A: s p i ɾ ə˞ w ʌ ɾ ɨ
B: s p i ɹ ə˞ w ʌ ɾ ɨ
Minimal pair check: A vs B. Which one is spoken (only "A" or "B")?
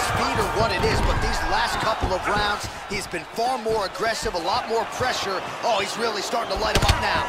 A